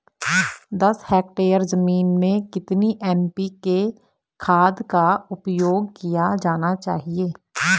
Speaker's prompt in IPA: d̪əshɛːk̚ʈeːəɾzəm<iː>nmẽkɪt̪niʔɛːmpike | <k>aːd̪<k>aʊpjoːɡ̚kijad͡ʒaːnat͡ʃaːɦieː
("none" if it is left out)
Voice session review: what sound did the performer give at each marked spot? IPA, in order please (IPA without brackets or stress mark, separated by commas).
iː, kʰ, k